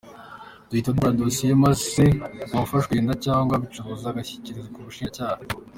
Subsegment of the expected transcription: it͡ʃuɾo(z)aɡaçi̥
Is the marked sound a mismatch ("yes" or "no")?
no